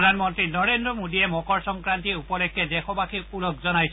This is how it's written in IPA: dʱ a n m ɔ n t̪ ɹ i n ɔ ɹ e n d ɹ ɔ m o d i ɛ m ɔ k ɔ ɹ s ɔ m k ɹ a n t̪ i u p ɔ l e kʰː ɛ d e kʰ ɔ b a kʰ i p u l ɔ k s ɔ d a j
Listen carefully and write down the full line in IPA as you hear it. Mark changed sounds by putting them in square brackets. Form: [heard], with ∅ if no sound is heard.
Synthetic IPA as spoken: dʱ a n m ɔ n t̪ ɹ i n ɔ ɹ e n d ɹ ɔ m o d i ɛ m ɔ k ɔ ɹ s ɔ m k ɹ a n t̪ i u p ɔ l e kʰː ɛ d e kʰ ɔ b a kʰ i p u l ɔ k [z] ɔ [n] a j

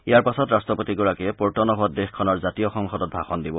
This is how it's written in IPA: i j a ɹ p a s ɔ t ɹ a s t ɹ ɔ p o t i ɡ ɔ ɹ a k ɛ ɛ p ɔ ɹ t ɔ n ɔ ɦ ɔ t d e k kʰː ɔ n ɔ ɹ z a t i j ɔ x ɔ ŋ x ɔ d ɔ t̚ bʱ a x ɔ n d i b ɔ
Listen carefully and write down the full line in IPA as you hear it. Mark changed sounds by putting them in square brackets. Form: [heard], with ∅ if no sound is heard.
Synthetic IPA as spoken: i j a ɹ p a s ɔ t ɹ a s t ɹ ɔ p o t i ɡ ɔ ɹ a k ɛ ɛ p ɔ ɹ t ɔ n ɔ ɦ ɔ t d e [x] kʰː ɔ n ɔ ɹ z a t i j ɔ x ɔ ŋ x ɔ d ɔ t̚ bʱ a x ɔ n d i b ɔ

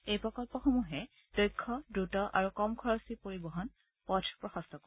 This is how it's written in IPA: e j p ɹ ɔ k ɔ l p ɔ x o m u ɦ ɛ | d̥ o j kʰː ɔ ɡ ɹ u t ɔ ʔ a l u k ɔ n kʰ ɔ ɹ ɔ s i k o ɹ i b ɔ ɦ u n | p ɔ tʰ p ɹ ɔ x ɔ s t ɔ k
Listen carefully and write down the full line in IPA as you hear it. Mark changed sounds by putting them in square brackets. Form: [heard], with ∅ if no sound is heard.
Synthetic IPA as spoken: e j p ɹ ɔ k ɔ l p ɔ x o m u ɦ ɛ | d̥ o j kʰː ɔ [d] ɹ u t ɔ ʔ a [ɹ] u k ɔ [m] kʰ ɔ ɹ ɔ s i [p] o ɹ i b ɔ ɦ [ɔ] n | p ɔ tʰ p ɹ ɔ x ɔ s t ɔ k

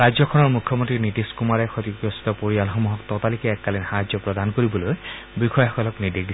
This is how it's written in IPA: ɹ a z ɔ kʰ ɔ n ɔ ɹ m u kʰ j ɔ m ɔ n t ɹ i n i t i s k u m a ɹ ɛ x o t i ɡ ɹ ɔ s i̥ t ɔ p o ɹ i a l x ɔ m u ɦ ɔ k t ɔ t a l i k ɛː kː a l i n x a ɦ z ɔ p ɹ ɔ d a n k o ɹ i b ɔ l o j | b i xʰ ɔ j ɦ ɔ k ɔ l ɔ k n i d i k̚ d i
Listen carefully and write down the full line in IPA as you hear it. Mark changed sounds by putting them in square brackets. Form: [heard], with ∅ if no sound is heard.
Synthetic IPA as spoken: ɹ a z ɔ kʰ ɔ n ɔ ɹ m u kʰ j ɔ m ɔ n t ɹ i n i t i s k u m a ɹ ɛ x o t i [k] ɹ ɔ s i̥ t ɔ p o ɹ i a l x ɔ m u ɦ ɔ k t ɔ t a l i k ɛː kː a l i n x a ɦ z ɔ p ɹ ɔ d a n k o ɹ i b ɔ l o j | b i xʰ ɔ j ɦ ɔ k ɔ l ɔ k n i d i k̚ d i

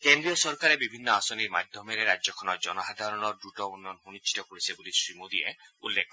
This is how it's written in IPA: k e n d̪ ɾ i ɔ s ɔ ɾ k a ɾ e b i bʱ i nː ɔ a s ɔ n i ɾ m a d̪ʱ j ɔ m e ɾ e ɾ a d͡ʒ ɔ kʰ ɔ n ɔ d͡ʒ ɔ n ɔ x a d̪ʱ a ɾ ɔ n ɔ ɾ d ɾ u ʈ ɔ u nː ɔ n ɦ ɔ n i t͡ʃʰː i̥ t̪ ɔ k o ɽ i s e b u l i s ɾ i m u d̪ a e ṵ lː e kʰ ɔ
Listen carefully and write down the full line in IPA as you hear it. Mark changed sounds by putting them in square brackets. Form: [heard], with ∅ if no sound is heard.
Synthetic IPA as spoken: k e n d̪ ɾ i ɔ s ɔ ɾ k a ɾ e b i bʱ i nː ɔ a s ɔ n i ɾ m a d̪ʱ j ɔ m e ɾ e ɾ a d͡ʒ ɔ kʰ ɔ n ɔ d͡ʒ ɔ n ɔ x a d̪ʱ a ɾ ɔ n ɔ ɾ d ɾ u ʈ ɔ u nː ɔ n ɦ [u] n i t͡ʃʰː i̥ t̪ ɔ k o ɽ i s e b u l i s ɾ i m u d̪ [i] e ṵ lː e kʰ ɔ

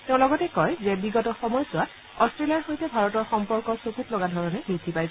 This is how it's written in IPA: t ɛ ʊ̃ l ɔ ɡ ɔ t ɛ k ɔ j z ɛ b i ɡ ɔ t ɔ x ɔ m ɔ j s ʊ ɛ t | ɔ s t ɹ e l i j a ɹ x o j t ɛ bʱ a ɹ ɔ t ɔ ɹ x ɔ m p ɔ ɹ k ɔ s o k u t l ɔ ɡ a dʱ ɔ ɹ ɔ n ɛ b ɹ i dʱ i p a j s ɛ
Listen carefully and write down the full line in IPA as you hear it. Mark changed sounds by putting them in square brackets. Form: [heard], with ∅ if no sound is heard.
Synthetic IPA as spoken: t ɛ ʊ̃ l ɔ ɡ ɔ t ɛ k ɔ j z ɛ b i ɡ ɔ t ɔ x ɔ m ɔ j s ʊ [a] t | ɔ s t ɹ e l i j a ɹ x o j t ɛ bʱ a ɹ ɔ t ɔ ɹ x ɔ m p ɔ ɹ k ɔ s o k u t l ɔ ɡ a dʱ ɔ ɹ ɔ n ɛ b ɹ i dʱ i p a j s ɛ

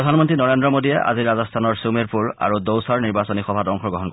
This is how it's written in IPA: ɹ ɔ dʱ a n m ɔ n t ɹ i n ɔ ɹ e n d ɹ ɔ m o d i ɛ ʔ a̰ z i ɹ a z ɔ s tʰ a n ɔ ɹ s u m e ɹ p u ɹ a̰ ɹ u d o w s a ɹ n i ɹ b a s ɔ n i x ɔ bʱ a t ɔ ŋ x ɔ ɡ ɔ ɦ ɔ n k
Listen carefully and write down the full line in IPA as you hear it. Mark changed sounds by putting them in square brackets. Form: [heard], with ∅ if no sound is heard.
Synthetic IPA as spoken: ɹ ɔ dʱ a n m ɔ n t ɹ i n ɔ ɹ e n d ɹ ɔ m o d i ɛ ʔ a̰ z i ɹ a z ɔ s tʰ a n ɔ ɹ s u m e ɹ p u ɹ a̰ ɹ u d o w s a ɹ n i ɹ b a s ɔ n i x ɔ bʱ a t ɔ ŋ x ɔ ɡ ɔ ɦ ɔ n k

